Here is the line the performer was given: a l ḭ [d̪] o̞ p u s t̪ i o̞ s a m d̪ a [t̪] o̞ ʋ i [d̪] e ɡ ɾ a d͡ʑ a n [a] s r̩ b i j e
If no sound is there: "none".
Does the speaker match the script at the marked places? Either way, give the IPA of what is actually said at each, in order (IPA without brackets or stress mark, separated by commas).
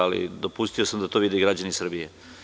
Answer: d̪, t̪, d̪, i